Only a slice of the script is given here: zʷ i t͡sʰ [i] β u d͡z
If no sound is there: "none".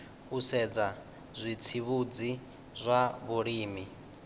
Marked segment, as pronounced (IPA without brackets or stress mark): i